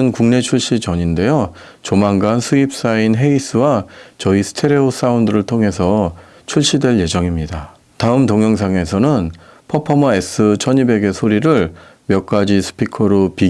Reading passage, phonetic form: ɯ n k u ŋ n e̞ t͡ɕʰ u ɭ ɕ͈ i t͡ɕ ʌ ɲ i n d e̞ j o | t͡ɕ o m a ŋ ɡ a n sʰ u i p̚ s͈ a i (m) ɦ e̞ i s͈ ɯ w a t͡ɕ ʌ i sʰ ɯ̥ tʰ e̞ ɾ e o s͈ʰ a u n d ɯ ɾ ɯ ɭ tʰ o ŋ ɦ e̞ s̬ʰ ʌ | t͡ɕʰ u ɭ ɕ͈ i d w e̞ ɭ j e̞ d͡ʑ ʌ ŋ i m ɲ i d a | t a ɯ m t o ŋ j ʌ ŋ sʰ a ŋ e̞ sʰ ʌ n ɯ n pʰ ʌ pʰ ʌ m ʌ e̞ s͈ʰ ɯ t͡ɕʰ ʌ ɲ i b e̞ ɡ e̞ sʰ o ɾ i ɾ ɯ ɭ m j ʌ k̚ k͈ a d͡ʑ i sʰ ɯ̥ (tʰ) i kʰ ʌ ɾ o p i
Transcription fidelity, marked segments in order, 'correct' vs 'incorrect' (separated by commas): incorrect, incorrect